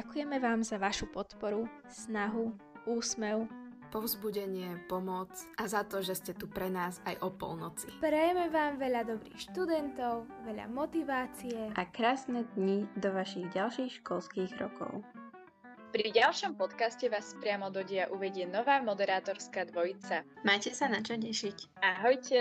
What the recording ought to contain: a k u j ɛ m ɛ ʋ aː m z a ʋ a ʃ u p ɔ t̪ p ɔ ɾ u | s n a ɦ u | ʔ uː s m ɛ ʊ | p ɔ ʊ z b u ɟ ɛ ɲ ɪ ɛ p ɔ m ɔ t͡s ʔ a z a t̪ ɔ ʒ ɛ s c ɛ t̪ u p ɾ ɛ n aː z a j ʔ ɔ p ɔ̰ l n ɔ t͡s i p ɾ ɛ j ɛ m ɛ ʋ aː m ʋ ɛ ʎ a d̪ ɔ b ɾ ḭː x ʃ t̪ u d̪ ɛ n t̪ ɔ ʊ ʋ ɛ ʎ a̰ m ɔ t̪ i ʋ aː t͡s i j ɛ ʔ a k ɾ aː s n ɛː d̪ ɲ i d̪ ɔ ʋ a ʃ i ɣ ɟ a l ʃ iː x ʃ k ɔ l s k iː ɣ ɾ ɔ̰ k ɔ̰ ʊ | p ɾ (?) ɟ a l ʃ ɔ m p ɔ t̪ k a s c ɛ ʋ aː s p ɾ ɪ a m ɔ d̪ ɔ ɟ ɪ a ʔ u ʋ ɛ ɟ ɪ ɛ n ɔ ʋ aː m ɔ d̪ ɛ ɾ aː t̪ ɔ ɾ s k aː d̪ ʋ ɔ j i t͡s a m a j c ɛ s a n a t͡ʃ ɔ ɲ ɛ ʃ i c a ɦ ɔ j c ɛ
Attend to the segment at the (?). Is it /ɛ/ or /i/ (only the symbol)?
i